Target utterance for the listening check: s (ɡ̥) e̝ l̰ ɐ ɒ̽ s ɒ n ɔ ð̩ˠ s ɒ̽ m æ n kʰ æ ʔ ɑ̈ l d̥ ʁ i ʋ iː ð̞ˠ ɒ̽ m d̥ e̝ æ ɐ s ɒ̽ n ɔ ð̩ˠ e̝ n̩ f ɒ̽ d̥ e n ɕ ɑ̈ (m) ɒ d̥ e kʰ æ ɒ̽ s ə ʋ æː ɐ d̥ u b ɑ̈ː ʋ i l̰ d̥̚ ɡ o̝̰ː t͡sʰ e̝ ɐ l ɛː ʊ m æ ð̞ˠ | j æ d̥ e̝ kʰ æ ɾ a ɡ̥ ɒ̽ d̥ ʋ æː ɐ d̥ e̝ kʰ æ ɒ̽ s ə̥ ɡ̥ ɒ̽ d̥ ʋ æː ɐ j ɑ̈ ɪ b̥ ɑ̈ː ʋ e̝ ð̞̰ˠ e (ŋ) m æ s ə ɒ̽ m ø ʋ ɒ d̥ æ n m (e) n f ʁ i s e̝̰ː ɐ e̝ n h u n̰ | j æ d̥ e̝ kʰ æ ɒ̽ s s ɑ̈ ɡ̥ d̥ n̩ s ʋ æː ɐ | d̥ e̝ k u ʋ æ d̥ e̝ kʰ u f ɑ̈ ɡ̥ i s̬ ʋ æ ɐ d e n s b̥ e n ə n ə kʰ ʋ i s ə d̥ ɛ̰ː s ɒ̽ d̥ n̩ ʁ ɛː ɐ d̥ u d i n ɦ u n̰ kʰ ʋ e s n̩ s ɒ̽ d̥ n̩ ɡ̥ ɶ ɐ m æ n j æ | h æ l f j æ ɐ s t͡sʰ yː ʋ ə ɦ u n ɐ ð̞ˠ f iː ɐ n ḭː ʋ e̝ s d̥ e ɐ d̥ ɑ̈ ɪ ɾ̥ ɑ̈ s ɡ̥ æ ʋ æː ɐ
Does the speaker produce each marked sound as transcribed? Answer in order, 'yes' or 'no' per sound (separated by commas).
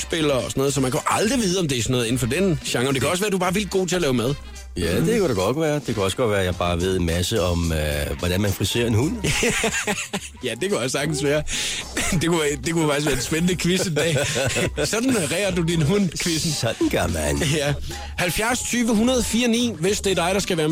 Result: no, no, no, no